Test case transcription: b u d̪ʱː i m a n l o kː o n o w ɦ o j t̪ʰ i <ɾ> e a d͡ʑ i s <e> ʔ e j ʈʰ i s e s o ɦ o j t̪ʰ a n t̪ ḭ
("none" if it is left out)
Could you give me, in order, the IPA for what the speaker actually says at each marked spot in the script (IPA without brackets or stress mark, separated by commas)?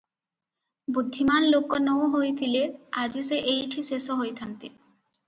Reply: l, e